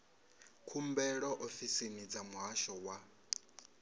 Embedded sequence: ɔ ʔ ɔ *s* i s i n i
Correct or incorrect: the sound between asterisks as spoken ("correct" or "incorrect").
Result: incorrect